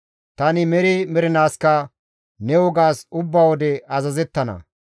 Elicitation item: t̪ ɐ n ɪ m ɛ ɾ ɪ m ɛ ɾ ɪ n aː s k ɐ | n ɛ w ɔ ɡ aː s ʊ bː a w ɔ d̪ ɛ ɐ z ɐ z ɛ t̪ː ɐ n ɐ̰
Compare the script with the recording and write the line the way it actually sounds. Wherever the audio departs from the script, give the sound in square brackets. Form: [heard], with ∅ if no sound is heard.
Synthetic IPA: t̪ ɐ n ɪ m ɛ ɾ ɪ m ɛ ɾ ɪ n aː s k ɐ | n ɛ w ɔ ɡ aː s ʊ bː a w ɔ d̪ ɛ ɐ z ɐ z ɛ t̪ː ɐ n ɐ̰